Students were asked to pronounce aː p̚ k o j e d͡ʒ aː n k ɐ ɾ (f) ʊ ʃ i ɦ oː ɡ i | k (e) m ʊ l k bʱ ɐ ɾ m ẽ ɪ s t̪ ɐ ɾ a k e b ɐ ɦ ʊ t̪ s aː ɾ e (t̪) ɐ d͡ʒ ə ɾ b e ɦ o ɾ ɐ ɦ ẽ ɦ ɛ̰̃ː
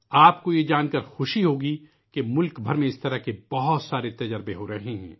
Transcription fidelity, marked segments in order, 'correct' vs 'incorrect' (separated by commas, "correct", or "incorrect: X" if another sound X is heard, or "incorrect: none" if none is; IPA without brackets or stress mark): incorrect: x, correct, correct